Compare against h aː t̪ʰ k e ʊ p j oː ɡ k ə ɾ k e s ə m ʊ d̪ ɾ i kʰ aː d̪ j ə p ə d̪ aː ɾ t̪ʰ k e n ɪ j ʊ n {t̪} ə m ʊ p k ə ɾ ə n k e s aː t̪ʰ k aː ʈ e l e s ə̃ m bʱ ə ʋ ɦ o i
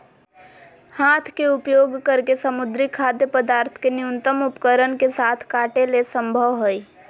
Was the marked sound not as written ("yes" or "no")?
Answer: no